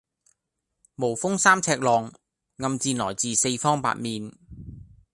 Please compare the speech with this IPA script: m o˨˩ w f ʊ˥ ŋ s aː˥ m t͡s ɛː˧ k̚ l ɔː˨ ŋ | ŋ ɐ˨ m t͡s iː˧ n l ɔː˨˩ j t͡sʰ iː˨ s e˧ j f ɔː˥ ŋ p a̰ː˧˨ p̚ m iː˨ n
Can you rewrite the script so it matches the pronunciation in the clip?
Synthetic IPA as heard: m o˨˩ w f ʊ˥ ŋ s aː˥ m t͡sʰ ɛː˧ k̚ l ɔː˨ ŋ | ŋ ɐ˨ m t͡s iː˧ n l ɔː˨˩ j t͡s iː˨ s e˧ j f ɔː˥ ŋ p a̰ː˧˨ t̚ m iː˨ n